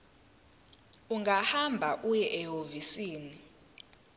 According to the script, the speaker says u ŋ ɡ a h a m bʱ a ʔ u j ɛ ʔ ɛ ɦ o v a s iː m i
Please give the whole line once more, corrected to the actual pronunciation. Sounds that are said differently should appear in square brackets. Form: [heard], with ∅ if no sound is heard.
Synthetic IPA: u ŋ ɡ a h a m bʱ a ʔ u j ɛ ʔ ɛ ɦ o v [i] s iː [n] i